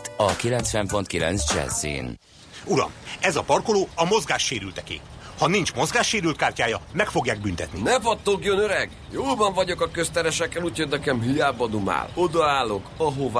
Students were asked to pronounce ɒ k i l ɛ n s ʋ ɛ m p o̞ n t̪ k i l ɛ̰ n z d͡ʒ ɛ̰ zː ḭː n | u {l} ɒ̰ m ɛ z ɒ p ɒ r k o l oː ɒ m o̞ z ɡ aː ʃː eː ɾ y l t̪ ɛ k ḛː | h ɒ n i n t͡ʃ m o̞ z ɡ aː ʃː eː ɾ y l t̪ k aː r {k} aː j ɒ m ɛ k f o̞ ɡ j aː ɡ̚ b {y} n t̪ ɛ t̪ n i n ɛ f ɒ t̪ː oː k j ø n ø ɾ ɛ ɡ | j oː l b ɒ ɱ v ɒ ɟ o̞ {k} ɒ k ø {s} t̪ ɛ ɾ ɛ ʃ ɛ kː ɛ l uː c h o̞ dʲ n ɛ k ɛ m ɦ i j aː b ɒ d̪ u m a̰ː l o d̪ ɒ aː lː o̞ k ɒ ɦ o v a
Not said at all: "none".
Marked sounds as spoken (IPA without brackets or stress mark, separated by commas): ɾ, c, y, k, s